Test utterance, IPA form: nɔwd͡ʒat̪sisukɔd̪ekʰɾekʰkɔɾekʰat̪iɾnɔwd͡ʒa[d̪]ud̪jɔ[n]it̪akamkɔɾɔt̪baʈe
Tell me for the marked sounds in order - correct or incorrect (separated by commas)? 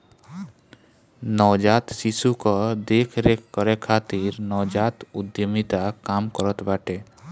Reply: incorrect, incorrect